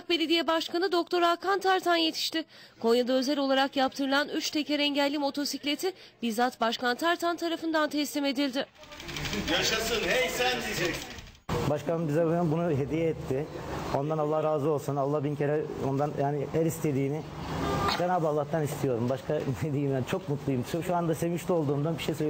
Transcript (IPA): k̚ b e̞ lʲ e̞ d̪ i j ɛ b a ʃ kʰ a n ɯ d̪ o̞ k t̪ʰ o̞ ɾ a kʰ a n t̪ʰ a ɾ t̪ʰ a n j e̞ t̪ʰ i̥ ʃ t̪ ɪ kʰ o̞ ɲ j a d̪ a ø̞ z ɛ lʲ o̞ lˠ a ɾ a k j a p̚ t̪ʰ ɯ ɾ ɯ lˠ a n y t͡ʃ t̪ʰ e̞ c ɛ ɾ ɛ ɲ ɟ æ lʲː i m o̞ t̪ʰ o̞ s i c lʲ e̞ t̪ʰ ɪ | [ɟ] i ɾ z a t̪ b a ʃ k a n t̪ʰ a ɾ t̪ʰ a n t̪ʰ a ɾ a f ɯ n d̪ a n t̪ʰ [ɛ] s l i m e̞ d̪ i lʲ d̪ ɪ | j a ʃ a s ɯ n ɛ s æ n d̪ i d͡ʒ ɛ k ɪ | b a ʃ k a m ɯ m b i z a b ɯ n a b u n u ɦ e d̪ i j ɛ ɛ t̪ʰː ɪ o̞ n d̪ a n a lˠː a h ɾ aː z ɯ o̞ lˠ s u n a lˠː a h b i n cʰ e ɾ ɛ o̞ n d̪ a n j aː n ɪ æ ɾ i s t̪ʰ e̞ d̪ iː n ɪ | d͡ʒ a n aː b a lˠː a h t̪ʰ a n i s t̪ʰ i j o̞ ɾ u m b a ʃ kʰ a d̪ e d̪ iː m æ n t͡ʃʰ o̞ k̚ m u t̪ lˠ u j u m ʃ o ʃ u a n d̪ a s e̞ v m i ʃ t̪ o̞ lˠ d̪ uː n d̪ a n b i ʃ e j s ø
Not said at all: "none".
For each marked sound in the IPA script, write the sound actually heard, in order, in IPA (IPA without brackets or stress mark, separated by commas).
b, ɛ